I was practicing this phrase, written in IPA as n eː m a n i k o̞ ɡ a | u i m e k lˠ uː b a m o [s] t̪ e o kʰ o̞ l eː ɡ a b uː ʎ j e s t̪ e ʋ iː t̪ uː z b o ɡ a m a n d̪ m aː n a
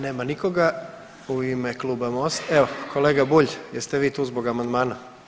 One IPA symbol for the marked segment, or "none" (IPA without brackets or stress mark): s